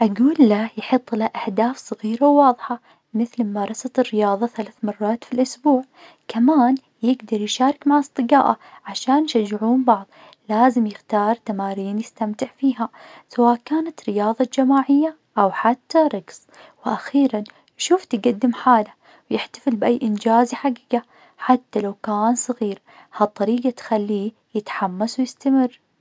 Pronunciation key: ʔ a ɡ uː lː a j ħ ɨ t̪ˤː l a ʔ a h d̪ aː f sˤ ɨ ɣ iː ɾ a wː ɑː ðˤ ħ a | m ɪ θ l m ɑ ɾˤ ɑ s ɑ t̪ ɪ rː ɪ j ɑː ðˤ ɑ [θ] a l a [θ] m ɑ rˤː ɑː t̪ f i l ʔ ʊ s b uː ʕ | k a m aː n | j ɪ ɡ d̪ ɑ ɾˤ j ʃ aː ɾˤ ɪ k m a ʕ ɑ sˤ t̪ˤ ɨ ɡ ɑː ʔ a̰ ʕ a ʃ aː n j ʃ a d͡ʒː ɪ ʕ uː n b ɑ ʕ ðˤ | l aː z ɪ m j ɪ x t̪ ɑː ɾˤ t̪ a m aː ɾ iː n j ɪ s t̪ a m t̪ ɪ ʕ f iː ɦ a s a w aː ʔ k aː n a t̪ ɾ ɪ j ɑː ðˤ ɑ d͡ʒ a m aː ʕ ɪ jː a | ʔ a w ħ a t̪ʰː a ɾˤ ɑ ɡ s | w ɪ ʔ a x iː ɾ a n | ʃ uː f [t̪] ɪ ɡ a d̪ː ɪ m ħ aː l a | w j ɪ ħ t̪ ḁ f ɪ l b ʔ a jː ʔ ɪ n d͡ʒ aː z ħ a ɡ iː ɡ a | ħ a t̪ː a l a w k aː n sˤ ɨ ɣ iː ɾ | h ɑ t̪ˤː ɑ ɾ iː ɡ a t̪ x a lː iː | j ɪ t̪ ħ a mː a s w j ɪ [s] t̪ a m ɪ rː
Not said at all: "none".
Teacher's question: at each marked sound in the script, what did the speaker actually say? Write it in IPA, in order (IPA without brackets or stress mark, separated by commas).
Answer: θ, θ, t̪, s